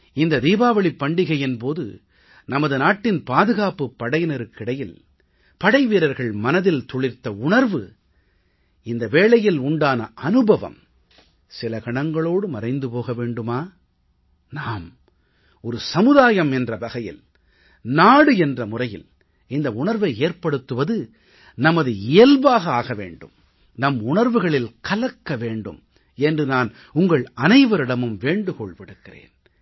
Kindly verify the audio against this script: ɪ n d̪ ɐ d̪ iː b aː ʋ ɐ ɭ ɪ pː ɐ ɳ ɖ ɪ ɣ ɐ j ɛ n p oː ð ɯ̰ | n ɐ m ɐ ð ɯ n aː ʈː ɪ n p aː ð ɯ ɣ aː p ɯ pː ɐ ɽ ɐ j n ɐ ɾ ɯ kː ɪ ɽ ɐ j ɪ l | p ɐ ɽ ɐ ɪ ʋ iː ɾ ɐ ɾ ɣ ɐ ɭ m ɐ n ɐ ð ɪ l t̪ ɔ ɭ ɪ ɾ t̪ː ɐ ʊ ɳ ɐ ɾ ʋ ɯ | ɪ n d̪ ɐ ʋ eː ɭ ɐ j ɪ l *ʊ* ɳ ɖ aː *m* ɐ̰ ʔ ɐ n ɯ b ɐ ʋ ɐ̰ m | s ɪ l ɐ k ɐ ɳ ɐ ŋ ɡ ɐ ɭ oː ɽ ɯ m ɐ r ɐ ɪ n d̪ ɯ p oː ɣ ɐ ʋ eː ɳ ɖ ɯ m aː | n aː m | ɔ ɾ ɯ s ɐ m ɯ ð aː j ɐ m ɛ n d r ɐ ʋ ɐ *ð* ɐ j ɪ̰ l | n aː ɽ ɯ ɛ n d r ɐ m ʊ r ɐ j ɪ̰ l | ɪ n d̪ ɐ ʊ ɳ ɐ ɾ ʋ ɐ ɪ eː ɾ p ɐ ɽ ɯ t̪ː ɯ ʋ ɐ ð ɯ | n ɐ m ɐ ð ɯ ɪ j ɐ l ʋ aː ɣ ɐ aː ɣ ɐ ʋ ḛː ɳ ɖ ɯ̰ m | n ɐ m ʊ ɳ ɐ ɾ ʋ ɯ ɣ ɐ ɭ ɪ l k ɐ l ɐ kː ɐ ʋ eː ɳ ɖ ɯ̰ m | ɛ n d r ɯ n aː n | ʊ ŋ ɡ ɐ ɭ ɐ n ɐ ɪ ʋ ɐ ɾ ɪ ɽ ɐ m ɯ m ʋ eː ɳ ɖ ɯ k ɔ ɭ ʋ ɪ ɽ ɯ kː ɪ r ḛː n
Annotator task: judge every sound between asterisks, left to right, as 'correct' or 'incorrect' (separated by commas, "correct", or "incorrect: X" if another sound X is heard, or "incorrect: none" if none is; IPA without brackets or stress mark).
correct, incorrect: n, incorrect: ɣ